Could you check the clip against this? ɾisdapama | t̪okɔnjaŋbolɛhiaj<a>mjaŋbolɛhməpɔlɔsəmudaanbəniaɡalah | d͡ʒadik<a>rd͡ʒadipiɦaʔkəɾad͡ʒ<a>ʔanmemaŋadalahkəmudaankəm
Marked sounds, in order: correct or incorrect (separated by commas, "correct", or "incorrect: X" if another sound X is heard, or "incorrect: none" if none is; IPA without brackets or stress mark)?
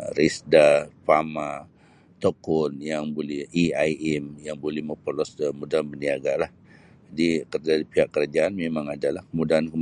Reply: incorrect: ɛ, incorrect: ə, correct